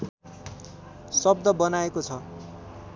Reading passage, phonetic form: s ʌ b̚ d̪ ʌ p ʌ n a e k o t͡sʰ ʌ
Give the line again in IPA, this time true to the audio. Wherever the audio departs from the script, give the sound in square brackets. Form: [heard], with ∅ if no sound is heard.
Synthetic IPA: s ʌ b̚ d̪ ʌ [b] ʌ n a e k o t͡sʰ ʌ